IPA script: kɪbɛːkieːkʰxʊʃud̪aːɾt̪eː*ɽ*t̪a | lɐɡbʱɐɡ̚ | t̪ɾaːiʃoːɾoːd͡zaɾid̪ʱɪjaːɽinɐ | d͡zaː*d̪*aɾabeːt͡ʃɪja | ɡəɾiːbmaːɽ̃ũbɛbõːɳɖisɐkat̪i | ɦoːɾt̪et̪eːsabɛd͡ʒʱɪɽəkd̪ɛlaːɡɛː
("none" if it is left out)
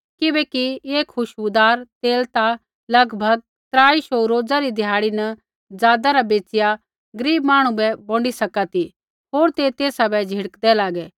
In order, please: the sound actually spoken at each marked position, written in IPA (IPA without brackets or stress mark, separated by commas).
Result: l, d̪